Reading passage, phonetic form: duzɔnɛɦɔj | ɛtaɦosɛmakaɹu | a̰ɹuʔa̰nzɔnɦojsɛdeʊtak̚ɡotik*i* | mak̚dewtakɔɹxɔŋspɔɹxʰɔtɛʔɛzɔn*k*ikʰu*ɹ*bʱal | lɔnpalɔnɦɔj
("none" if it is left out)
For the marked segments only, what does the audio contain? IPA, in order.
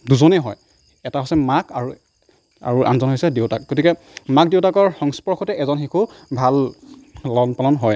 ɛ, x, none

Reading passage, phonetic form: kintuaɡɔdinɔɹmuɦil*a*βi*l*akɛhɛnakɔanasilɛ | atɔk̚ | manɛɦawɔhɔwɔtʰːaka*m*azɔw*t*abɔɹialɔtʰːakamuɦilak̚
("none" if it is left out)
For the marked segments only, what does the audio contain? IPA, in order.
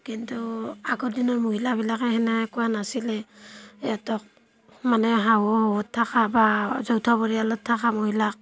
a, l, b, tʰ

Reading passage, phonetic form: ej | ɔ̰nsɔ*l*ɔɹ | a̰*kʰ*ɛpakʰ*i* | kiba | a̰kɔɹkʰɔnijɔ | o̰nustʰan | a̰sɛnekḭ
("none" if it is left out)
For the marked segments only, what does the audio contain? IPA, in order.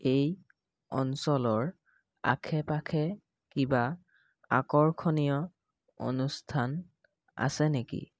l, kʰ, ɛ

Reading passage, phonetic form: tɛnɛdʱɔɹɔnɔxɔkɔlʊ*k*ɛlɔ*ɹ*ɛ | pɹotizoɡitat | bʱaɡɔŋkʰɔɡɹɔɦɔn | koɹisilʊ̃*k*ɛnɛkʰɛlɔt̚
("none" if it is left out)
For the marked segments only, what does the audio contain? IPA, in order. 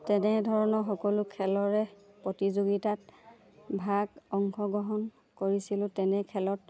kʰ, ɹ, t

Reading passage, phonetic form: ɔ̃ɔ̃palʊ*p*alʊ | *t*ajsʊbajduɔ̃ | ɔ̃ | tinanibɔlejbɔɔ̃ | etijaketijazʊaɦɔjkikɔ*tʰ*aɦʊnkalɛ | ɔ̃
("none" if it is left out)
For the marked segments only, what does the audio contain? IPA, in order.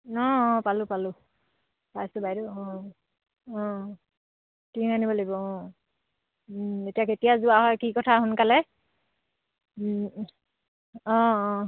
p, p, tʰ

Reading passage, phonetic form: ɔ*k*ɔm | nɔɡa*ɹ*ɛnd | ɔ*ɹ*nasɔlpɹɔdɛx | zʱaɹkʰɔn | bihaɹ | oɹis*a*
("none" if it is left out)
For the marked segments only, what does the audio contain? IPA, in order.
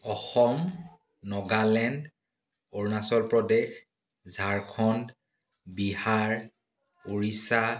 x, l, ɹ, a

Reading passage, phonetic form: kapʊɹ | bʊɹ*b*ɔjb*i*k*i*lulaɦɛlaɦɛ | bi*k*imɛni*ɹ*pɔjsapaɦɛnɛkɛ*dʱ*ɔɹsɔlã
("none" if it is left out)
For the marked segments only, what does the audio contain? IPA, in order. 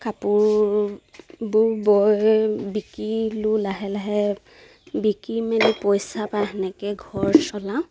b, i, i, k, none, ɡʱ

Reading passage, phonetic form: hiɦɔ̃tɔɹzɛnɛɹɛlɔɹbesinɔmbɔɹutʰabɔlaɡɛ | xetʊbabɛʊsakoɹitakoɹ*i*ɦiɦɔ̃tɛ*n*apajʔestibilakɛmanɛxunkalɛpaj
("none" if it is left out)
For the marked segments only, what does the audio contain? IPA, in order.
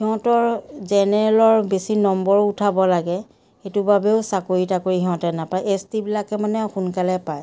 i, n

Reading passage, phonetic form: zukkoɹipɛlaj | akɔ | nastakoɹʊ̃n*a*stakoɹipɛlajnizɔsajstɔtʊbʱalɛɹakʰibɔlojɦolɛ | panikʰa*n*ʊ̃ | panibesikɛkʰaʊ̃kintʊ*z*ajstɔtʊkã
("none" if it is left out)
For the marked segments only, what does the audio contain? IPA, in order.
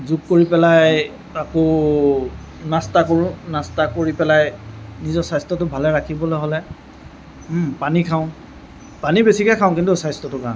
a, none, s

